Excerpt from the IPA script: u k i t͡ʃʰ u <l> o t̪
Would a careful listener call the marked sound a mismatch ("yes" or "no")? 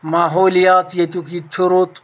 yes